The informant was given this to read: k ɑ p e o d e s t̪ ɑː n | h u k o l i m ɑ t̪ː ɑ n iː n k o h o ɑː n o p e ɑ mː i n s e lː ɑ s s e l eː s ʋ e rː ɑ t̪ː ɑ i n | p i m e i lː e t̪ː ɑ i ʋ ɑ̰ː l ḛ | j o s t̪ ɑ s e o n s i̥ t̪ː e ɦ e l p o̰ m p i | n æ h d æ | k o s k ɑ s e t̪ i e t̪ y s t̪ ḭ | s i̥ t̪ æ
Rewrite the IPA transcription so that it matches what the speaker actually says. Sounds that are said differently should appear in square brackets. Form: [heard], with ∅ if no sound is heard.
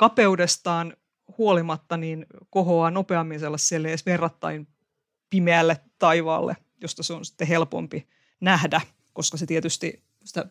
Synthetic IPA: k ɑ p e [u] d e s t̪ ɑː n | h u [∅] o l i m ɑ t̪ː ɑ n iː n k o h o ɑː n o p e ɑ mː i n s e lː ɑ s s e l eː s ʋ e rː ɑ t̪ː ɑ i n | p i m e [æ] lː e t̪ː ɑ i ʋ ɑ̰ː [lː] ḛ | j o s t̪ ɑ s e o n s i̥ t̪ː e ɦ e l p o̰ m p i | n æ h d æ | k o s k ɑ s e t̪ i e t̪ y s t̪ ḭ | s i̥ t̪ æ